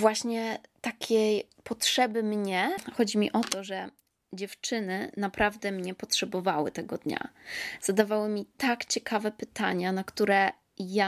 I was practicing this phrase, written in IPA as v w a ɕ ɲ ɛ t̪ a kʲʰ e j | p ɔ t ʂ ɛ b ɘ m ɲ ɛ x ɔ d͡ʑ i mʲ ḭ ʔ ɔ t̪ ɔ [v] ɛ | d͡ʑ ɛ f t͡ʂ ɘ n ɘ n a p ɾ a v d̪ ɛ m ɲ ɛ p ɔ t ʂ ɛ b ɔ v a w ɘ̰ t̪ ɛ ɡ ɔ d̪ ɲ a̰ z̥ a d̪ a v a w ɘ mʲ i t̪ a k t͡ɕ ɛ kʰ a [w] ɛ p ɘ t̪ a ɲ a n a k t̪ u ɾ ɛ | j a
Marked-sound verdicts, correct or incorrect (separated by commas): incorrect, incorrect